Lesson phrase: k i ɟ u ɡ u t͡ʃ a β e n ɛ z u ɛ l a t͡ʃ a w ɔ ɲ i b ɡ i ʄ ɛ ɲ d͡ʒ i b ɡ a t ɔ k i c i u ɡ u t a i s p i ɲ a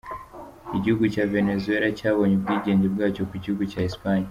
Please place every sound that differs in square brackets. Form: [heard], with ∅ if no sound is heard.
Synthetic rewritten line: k i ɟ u ɡ u t͡ʃ a [v] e n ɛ z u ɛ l a t͡ʃ a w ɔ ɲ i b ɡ i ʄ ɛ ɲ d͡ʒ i b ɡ a [t͡ʃ] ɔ k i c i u ɡ u [t͡ʃ] a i s p [a] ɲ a